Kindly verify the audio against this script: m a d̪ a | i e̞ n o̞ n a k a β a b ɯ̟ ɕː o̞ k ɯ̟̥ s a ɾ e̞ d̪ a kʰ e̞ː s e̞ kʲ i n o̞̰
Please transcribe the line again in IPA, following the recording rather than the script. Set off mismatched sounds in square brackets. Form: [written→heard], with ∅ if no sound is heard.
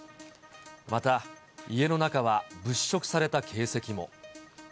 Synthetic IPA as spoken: m a [d̪→t̪] a | i e̞ n o̞ n a k a β a b ɯ̟ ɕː o̞ k ɯ̟̥ s a ɾ e̞ [d̪→t̪] a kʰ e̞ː s e̞ kʲ i [n→m] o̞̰